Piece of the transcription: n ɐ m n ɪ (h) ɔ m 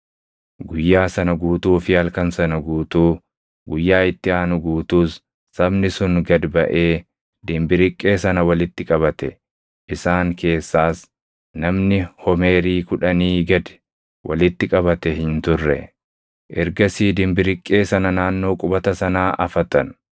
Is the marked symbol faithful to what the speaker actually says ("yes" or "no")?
yes